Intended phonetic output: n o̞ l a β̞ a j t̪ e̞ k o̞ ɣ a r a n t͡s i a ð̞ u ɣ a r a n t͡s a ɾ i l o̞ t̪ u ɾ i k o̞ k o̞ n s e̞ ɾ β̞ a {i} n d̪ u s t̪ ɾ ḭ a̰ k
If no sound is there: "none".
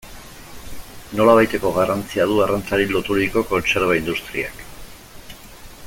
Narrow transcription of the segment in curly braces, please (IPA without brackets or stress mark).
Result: i